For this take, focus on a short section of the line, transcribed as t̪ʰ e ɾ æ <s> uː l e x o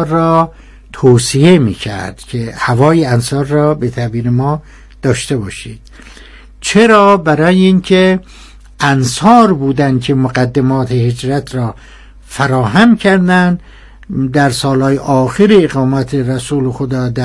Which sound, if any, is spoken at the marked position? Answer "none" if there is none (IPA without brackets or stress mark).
s